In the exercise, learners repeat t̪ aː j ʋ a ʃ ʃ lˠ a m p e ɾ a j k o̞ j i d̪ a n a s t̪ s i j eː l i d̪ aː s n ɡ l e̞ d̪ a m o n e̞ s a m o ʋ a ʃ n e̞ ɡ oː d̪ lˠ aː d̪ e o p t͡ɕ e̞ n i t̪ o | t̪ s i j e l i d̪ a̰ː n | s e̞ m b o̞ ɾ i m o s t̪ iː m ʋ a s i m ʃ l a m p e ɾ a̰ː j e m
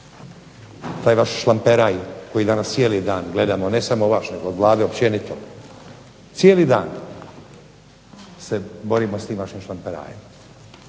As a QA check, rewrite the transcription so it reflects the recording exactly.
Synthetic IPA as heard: t̪ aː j ʋ a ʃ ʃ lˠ a m p e ɾ a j k o̞ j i d̪ a n a s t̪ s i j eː l i d̪ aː n ɡ l e̞ d̪ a m o n e̞ s a m o ʋ a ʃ n e̞ ɡ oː d̪ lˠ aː d̪ e o p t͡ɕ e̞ n i t̪ o | t̪ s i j e l i d̪ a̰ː n | s e̞ b o̞ ɾ i m o s t̪ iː m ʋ a ʃ i m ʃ l a m p e ɾ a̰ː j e m

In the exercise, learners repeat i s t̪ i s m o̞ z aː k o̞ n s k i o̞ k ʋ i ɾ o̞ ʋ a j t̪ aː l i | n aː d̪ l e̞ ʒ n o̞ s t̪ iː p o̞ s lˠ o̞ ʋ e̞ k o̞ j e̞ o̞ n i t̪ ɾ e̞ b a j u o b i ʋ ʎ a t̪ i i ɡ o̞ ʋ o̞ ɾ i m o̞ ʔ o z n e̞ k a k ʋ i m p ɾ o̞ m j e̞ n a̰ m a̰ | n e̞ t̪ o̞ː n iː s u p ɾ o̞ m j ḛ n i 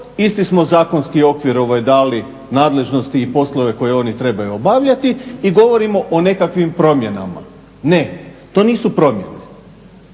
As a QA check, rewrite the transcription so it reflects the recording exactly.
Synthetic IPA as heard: i s t̪ i s m o̞ z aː k o̞ n s k i o̞ k ʋ i ɾ o̞ ʋ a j d̪ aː l i | n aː d̪ l e̞ ʒ n o̞ s t̪ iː p o̞ s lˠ o̞ ʋ e̞ k o̞ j e̞ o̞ n i t̪ ɾ e̞ b a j u o b a ʋ ʎ a t̪ i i ɡ o̞ ʋ o̞ ɾ i m o̞ ʔ o n e̞ k a k ʋ i m p ɾ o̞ m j e̞ n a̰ m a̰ | n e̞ t̪ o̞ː n iː s u p ɾ o̞ m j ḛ n e

